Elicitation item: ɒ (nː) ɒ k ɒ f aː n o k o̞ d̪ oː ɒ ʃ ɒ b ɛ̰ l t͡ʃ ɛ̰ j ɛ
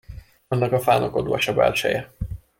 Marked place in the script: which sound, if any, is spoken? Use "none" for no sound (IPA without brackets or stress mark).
nː